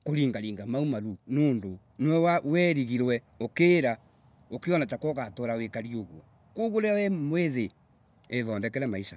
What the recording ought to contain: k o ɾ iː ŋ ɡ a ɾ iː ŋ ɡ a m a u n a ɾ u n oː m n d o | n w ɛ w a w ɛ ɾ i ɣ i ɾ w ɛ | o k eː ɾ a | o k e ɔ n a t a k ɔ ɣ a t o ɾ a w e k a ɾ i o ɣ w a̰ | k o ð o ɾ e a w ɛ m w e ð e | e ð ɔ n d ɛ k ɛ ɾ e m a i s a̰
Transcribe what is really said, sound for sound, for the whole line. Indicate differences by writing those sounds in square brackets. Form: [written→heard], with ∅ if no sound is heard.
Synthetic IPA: k o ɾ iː ŋ ɡ a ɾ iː ŋ ɡ a m a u [n→m] a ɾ u n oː [m→∅] n d o | n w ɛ w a w ɛ ɾ i ɣ i ɾ w ɛ | o k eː ɾ a | o k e ɔ n a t a k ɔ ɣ a t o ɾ a w e k a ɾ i o ɣ w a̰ | k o [ð→ɣ] o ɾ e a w ɛ m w e ð e | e ð ɔ n d ɛ k ɛ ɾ [e→ɛ] m a i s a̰